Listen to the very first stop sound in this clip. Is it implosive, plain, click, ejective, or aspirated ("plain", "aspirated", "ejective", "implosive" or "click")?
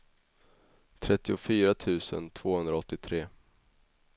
aspirated